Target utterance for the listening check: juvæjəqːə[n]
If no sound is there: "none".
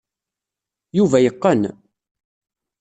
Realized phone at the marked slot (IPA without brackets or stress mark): n